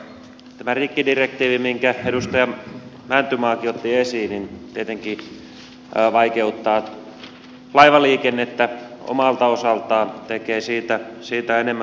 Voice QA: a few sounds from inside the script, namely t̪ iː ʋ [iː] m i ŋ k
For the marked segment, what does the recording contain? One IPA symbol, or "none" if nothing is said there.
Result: i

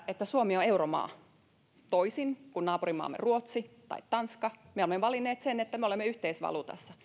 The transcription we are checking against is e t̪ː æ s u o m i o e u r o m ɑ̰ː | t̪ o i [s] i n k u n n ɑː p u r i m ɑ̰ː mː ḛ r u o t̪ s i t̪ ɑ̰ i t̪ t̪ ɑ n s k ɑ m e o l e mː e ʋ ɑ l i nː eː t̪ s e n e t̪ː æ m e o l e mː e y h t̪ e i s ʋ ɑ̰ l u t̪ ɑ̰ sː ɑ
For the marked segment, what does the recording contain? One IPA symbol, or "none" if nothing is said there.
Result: s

